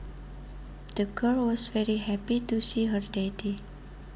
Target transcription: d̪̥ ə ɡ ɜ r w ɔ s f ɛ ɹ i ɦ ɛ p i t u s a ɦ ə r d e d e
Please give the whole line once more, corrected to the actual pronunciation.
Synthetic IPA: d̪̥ ə ɡ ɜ l w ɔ s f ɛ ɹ i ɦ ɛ p i t u s i ɦ ə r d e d i